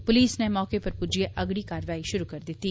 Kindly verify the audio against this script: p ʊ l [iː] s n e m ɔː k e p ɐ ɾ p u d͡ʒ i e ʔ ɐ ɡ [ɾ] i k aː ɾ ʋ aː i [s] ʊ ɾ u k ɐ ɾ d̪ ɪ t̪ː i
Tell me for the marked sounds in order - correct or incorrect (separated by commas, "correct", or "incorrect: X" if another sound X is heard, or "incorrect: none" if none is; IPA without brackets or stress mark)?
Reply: correct, incorrect: ɽ, incorrect: ʃ